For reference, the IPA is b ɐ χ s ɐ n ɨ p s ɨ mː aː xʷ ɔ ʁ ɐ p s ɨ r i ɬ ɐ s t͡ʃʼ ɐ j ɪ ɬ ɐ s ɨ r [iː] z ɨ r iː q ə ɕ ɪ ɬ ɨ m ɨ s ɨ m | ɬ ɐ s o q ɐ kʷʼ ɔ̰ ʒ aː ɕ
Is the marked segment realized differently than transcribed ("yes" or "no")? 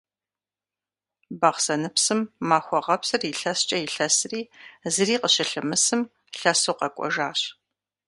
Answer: no